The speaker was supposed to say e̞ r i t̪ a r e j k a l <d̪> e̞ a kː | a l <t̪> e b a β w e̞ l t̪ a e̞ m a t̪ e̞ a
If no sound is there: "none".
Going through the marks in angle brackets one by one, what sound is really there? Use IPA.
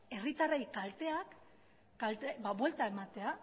t̪, t̪

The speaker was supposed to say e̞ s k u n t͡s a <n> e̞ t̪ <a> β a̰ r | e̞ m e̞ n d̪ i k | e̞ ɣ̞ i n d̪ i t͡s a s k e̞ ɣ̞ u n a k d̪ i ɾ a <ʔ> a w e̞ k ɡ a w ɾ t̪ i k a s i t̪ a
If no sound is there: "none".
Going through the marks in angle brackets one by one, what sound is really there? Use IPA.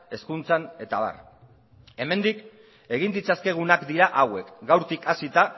n, a, ʔ

